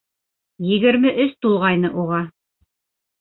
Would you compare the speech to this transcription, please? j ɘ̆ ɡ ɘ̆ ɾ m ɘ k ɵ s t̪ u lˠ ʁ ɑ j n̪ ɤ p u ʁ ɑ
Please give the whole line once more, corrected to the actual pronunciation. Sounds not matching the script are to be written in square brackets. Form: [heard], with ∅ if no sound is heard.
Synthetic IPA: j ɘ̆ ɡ ɘ̆ ɾ m ɘ [ʔ] ɵ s t̪ u lˠ ʁ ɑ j n̪ ɤ [ʔ] u ʁ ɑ